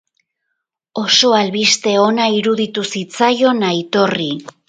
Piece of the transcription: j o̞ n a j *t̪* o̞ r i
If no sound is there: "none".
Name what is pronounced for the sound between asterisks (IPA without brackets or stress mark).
t̪